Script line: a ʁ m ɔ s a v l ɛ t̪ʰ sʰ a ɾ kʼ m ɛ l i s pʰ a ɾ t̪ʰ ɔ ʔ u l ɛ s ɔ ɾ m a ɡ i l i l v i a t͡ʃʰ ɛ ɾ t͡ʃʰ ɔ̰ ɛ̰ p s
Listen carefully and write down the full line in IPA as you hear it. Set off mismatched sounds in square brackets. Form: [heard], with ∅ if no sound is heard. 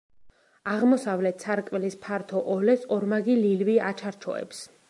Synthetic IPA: a ʁ m ɔ s a v l ɛ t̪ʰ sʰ a ɾ kʼ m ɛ l i s pʰ a ɾ t̪ʰ ɔ ʔ [ɔ] l ɛ s ɔ ɾ m a ɡ i l i l v i a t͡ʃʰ [a] ɾ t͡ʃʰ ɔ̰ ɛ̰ p s